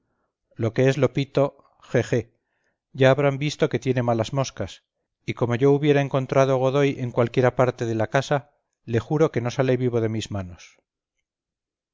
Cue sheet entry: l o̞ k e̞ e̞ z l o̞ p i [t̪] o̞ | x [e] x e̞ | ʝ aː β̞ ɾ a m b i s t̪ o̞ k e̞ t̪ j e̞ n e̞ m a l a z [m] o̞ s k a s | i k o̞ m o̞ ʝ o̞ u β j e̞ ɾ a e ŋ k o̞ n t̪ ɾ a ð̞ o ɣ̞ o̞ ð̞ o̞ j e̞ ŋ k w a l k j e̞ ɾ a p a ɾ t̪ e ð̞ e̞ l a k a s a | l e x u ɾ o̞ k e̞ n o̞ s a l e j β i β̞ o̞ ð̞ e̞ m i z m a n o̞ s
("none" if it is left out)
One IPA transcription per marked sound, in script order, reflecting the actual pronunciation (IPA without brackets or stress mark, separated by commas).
t̪, e, m